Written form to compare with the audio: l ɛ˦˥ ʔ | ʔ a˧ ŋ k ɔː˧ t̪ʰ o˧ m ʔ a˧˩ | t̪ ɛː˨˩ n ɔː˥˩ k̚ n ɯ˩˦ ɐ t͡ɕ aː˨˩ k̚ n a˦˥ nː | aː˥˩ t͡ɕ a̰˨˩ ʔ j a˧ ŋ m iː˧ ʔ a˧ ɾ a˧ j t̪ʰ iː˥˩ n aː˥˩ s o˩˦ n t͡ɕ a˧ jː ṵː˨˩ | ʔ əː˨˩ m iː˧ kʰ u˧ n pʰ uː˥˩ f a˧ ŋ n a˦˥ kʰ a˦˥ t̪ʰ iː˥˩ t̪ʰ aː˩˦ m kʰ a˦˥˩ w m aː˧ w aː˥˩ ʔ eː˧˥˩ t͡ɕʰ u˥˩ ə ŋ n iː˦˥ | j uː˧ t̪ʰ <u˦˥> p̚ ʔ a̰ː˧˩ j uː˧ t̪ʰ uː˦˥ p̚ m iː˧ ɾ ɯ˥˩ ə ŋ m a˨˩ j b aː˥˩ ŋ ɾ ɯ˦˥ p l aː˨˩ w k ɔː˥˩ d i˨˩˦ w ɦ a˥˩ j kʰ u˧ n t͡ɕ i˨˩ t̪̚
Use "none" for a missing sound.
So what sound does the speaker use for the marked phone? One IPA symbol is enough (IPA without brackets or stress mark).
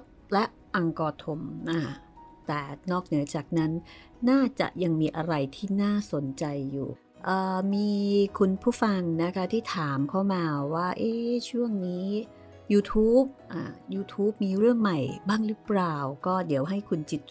uː˦˥